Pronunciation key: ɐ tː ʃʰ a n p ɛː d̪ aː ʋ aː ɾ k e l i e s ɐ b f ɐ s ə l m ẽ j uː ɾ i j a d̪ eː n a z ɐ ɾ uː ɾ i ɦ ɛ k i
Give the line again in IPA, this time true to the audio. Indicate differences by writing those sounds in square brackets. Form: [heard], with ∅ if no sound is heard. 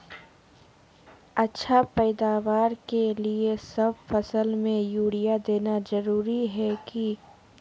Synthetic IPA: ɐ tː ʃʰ a [∅] p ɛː d̪ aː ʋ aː ɾ k e l i e s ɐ b f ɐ s ə l m ẽ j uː [ɽ] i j a d̪ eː n a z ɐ ɾ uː ɾ i ɦ ɛ k i